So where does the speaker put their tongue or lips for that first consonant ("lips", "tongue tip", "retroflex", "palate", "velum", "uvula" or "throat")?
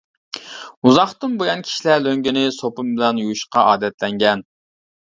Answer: tongue tip